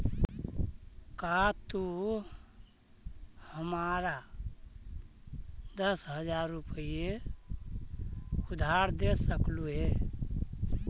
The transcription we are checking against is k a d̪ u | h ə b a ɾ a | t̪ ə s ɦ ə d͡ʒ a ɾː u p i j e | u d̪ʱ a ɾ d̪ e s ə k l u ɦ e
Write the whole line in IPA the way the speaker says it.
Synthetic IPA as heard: k a t̪ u | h ə m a ɾ a | d̪ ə s ɦ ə d͡ʒ a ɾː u p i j e | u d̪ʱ a ɾ d̪ e s ə k l u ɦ e